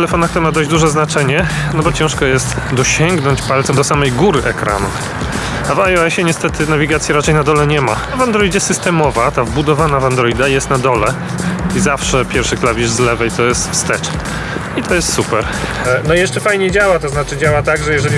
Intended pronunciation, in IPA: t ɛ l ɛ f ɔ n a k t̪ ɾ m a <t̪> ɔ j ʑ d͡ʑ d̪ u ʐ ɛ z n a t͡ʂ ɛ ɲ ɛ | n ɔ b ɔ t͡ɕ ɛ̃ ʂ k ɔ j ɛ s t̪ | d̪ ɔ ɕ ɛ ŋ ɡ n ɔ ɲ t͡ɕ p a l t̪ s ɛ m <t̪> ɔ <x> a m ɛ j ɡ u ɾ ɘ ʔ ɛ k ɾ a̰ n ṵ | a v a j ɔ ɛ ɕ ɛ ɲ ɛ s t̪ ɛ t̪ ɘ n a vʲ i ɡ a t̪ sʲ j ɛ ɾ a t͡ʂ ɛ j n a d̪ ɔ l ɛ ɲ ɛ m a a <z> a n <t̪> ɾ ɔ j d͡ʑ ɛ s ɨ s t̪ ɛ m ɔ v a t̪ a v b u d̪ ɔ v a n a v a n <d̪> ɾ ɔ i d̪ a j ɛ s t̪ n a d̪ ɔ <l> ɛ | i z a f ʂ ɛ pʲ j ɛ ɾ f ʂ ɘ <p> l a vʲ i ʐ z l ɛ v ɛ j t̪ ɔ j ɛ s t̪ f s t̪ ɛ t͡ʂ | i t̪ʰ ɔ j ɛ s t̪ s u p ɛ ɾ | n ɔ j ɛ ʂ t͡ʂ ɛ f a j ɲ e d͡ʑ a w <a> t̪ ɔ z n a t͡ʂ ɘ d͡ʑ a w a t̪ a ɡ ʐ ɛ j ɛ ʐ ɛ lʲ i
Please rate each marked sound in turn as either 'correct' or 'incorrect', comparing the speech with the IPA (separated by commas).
incorrect, incorrect, incorrect, incorrect, incorrect, correct, correct, incorrect, correct